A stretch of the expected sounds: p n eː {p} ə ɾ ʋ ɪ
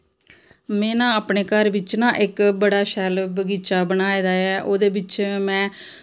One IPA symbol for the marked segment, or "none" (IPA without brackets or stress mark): k